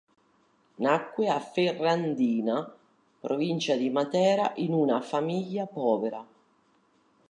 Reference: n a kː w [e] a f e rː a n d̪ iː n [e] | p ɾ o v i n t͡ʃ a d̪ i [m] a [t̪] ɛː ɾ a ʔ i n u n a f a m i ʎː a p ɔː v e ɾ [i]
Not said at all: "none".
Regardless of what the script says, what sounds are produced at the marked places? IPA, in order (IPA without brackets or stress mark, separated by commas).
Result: e, a, m, t̪, a